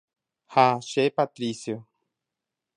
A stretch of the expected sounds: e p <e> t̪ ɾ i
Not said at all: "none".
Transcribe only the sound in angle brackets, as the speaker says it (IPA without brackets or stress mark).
a